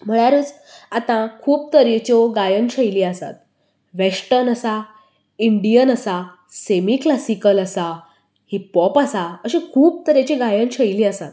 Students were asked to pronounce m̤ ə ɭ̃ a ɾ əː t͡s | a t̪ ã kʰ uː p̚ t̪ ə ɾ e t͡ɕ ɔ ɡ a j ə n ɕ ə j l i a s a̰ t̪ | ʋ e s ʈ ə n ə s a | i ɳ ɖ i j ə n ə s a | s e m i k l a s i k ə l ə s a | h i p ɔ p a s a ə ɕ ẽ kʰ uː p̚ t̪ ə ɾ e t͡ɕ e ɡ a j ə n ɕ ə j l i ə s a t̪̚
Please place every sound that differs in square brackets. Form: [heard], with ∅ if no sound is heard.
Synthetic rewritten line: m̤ ə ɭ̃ a ɾ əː t͡s | a t̪ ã kʰ uː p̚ t̪ ə ɾ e t͡ɕ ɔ ɡ a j ə n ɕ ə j l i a s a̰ t̪ | ʋ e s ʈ ə n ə s a | i ɳ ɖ i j ə n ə s a | s e m i k l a s i k ə l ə s a | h i p ɔ p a s a ə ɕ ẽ kʰ uː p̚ t̪ ə ɾ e t͡ɕ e ɡ a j ə n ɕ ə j l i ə s a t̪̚